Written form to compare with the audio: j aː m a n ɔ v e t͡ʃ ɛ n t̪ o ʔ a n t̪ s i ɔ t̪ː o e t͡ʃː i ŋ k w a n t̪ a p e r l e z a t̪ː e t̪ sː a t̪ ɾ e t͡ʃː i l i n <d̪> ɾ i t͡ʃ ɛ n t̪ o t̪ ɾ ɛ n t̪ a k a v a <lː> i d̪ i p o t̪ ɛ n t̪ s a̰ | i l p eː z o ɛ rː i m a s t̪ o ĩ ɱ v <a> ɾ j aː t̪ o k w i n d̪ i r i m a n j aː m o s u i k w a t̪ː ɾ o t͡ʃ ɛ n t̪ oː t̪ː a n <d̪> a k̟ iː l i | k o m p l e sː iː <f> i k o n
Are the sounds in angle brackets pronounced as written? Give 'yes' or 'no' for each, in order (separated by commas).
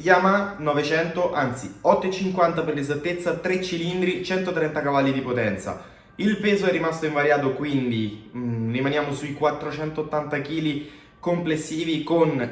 yes, yes, yes, no, no